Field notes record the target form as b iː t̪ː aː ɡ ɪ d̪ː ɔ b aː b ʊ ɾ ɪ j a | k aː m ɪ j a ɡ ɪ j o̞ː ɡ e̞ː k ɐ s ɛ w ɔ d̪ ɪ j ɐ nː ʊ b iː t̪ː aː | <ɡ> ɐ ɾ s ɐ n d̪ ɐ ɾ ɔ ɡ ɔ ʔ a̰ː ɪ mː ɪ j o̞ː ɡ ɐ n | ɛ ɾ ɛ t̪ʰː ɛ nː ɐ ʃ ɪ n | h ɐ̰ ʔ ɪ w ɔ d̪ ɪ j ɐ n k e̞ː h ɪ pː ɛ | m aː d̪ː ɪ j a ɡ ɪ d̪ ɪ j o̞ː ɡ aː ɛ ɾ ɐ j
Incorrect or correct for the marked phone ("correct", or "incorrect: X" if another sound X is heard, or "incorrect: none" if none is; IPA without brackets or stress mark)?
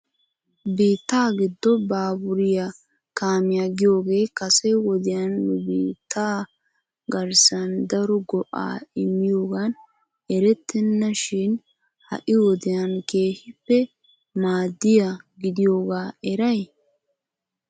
correct